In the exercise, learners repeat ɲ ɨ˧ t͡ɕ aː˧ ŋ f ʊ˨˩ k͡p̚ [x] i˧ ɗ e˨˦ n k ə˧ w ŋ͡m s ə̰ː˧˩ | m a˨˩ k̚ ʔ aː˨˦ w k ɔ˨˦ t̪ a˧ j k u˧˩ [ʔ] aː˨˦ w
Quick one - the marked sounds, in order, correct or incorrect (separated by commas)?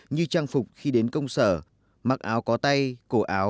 correct, correct